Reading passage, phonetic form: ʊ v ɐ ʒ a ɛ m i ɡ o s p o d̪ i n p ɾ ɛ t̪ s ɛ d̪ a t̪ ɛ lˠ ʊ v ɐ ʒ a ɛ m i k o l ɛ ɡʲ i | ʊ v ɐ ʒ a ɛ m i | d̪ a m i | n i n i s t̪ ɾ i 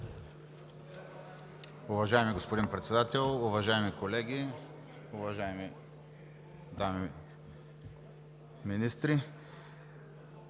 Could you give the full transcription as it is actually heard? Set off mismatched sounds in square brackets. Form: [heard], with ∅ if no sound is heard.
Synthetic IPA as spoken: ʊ v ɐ ʒ a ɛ m i ɡ o s p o d̪ i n p ɾ ɛ t̪ s ɛ d̪ a t̪ ɛ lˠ ʊ v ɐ ʒ a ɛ m i k o l ɛ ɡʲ i | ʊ v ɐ ʒ a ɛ m i | d̪ a m i | [m] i n i s t̪ ɾ i

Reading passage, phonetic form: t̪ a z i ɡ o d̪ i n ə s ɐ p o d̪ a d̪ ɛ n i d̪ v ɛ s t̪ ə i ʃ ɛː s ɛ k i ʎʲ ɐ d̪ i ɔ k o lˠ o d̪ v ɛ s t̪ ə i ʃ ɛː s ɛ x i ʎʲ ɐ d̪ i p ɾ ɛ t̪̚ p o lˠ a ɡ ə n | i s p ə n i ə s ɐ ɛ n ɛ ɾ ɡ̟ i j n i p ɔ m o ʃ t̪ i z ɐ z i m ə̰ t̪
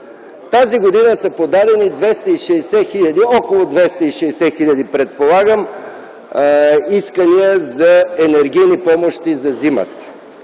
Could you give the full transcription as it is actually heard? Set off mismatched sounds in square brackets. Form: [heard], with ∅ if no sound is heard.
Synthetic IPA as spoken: t̪ a z i ɡ o d̪ i n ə s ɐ p o d̪ a d̪ ɛ n i d̪ v ɛ s t̪ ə i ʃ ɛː s ɛ [x] i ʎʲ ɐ d̪ i ɔ k o lˠ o d̪ v ɛ s t̪ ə i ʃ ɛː s ɛ x i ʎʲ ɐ d̪ i p ɾ ɛ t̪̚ p o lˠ a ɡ ə [m] | i s [k] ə n i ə [z] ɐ ɛ n ɛ ɾ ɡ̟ i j n i p ɔ m o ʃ t̪ i z ɐ z i m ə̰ t̪

